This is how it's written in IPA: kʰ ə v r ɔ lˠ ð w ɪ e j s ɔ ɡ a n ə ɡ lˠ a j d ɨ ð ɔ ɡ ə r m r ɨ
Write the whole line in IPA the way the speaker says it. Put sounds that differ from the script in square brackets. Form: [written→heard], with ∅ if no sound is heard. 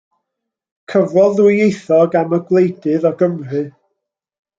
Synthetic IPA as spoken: kʰ ə v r ɔ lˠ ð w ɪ e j [s→θ] ɔ ɡ a [n→m] ə ɡ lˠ [a→e] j d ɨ ð ɔ ɡ ə [r→∅] m r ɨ